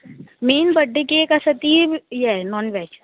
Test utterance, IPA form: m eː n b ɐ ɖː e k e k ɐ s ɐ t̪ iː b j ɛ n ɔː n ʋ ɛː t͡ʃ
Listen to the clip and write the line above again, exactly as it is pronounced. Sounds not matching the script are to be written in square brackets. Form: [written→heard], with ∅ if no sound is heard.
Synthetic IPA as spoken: m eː n b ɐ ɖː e k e k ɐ s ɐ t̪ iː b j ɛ n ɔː n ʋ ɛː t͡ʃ